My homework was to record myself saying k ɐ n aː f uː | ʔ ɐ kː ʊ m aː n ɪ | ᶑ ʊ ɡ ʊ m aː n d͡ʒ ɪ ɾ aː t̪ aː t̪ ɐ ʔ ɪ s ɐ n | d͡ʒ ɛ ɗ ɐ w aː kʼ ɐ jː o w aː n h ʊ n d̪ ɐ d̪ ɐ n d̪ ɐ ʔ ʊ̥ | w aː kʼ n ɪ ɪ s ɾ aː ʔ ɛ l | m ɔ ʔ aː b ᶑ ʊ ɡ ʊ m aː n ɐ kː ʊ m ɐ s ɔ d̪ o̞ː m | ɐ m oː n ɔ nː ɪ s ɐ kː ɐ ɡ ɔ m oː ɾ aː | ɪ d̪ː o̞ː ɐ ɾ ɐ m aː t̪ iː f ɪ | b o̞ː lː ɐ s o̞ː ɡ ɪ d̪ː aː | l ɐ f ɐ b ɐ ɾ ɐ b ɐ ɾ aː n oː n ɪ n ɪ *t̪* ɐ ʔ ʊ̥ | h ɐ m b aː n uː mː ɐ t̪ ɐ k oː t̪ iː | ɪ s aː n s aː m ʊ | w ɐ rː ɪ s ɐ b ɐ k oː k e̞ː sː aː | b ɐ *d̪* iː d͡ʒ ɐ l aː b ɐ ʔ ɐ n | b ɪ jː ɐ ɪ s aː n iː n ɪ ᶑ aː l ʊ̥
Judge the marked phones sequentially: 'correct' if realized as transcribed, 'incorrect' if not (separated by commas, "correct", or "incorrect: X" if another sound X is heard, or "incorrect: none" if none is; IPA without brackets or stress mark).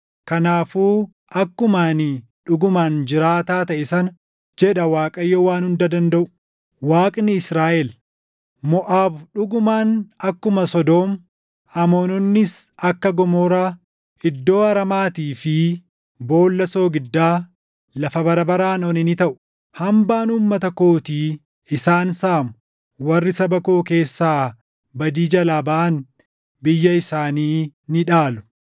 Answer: correct, correct